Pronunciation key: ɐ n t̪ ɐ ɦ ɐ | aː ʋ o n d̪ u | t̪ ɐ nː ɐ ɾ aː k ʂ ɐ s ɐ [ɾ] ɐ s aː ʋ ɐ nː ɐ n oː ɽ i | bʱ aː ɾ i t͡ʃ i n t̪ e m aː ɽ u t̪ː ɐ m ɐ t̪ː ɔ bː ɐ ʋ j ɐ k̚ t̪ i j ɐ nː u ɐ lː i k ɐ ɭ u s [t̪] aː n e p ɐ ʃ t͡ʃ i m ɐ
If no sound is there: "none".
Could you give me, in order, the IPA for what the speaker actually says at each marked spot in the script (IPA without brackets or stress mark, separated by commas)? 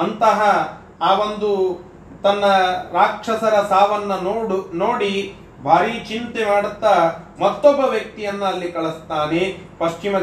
ɾ, t̪